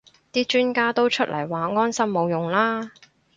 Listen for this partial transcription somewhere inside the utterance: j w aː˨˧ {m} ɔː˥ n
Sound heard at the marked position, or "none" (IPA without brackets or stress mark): ŋ